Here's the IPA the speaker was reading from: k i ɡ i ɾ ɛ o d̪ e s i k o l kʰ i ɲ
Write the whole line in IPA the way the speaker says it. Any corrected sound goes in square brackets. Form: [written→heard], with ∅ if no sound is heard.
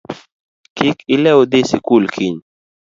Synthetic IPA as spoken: k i [ɡ→k] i [ɾ→l] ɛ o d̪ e s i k [o→u] l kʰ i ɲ